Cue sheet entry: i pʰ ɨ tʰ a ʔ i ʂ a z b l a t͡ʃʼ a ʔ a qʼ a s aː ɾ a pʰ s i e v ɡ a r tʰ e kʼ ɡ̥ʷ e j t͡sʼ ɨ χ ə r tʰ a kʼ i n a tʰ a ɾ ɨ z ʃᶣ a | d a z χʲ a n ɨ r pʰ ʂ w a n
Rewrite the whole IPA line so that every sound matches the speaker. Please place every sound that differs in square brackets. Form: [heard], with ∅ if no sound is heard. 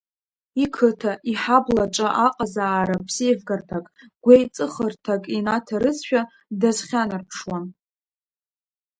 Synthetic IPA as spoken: i [kʰ] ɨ tʰ a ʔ i [ħ] a [∅] b l a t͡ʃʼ a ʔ a qʼ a [z] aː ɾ a pʰ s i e v ɡ a r tʰ [a] kʼ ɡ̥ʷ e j t͡sʼ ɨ χ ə r tʰ a kʼ i n a tʰ a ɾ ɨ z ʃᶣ a | d a z χʲ a n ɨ r pʰ ʂ w a n